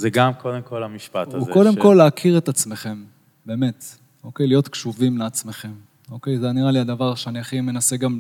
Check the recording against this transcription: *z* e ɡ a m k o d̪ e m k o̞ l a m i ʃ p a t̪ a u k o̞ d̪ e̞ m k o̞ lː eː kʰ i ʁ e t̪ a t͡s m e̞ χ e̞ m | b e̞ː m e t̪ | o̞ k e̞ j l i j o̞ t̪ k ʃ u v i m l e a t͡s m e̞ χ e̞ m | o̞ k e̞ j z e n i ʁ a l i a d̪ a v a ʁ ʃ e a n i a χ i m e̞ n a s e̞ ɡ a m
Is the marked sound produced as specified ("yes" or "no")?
yes